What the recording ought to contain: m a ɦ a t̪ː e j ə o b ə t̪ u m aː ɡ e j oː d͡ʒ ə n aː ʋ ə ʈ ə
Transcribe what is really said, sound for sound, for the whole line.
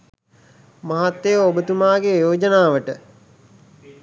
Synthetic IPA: m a ɦ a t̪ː e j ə o b ə t̪ u m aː ɡ e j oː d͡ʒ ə n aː ʋ ə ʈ ə